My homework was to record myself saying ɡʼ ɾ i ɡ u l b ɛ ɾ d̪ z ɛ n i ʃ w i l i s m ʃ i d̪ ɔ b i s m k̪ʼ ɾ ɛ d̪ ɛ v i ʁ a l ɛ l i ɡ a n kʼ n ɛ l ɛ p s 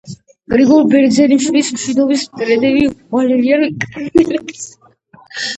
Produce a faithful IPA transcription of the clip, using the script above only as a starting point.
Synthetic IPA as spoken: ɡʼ ɾ i ɡ ɔ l b ɛ ɾ d̪ z ɛ n i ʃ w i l i s m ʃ i d̪ ɔ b i s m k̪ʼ ɾ ɛ d̪ ɛ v i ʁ a l ɛ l i a n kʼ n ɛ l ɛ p s